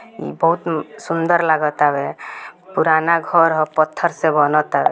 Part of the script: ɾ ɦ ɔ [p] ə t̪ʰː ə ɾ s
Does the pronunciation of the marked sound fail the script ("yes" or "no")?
no